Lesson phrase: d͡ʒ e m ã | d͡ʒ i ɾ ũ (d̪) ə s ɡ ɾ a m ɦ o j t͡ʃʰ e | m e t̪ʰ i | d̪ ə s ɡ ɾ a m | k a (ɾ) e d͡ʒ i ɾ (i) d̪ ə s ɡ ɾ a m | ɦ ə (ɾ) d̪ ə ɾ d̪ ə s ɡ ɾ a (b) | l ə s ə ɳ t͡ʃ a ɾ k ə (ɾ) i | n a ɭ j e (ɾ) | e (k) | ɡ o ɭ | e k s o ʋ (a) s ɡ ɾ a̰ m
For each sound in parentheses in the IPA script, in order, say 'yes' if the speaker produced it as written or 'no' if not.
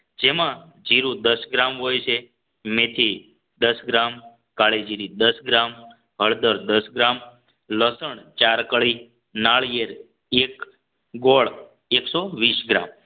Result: yes, no, yes, no, no, no, yes, yes, no

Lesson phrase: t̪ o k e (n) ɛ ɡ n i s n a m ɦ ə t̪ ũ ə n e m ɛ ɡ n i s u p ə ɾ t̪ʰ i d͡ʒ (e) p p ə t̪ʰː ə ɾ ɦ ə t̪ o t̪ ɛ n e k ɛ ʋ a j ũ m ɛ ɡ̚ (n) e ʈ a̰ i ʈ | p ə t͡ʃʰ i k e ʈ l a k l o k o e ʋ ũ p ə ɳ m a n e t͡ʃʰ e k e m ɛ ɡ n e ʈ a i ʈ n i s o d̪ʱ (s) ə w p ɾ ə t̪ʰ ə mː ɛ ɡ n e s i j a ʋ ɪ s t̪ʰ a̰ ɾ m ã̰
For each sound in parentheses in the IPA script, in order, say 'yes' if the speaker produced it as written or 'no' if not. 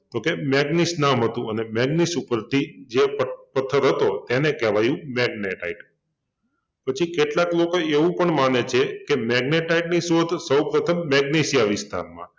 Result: no, yes, yes, yes

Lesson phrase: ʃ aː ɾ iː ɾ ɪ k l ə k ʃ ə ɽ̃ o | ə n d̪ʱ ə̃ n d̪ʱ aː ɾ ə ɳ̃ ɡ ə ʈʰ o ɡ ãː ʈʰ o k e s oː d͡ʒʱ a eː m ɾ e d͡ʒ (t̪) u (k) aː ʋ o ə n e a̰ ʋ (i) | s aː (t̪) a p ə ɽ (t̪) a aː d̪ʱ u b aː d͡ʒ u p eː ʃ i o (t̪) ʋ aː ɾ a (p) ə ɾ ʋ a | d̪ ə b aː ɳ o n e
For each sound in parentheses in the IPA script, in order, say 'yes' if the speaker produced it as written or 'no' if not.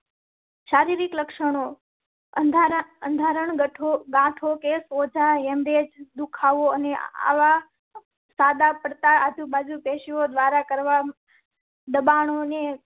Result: no, no, no, no, yes, no, no

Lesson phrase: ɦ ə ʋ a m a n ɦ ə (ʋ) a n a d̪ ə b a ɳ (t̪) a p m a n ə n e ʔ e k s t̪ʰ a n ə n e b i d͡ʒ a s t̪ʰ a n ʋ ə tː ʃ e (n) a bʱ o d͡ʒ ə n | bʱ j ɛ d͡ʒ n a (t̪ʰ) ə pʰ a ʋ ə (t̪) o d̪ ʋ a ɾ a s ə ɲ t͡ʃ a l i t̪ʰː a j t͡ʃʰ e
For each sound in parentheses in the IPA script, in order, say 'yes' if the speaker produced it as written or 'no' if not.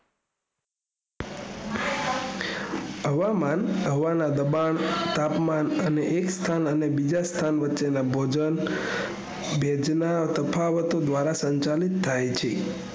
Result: yes, yes, yes, no, yes

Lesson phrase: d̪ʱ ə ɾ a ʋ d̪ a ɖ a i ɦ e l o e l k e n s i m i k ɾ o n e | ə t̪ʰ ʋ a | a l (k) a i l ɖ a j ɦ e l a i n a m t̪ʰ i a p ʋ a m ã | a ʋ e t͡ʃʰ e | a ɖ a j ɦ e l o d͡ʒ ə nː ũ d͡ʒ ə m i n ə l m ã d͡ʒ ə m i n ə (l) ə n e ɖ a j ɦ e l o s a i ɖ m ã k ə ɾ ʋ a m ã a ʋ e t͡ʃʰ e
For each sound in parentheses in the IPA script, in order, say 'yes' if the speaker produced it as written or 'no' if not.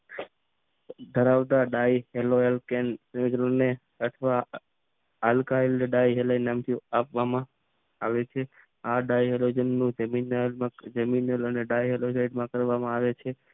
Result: yes, yes

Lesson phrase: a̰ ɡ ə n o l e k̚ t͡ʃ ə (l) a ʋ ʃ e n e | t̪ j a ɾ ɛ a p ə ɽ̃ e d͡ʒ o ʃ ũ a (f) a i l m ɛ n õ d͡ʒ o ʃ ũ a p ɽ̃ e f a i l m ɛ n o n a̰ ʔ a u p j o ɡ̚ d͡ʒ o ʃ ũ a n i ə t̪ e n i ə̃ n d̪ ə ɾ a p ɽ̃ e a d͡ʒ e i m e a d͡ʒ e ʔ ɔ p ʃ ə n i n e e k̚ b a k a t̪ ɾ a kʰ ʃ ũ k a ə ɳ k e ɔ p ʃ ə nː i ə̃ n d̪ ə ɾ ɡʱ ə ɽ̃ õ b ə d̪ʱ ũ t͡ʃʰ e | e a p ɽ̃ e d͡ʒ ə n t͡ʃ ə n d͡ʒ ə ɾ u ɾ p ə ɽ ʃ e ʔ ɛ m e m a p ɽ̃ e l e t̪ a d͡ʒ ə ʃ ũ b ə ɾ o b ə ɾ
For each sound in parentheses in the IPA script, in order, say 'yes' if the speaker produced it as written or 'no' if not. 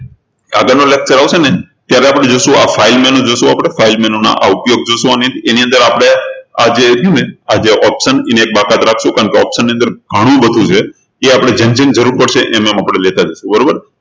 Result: no, yes

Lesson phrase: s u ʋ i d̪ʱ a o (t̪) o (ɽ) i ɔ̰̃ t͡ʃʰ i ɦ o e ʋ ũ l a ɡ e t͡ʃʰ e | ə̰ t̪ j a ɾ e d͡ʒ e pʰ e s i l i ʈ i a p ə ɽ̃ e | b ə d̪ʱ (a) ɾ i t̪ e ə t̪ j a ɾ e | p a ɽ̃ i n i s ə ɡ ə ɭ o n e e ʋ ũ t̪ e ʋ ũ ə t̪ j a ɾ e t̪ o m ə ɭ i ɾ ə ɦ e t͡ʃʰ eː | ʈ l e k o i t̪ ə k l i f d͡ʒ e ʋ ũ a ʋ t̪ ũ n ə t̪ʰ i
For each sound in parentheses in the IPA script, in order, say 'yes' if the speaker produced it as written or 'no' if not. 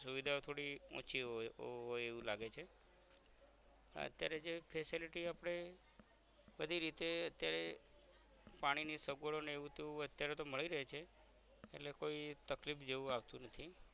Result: no, yes, no

